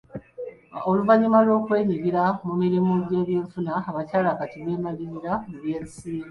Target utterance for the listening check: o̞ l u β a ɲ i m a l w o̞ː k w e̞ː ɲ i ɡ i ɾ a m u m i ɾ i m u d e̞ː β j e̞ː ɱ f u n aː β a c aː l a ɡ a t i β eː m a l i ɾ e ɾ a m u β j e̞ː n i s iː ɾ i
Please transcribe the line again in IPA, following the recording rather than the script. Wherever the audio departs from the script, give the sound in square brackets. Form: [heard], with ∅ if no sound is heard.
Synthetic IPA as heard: o̞ l u [v] a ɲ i m a l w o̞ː k w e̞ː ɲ i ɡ i ɾ a m u m i ɾ i m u [ɟ] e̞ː β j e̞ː ɱ f u n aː β a c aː l a [k] a t i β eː m a l i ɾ [i] ɾ a m u β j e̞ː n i s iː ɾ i